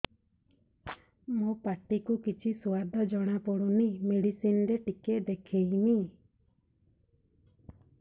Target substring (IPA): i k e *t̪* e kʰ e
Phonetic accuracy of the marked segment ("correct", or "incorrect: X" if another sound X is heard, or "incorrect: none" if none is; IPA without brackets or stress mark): incorrect: d̪